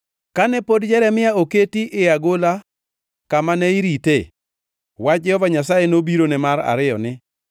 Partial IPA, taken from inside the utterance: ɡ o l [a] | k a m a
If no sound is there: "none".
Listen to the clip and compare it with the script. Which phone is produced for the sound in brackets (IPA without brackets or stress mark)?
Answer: a